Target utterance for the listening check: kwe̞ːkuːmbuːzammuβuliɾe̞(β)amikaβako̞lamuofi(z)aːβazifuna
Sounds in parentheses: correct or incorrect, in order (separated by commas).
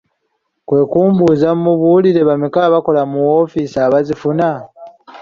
correct, incorrect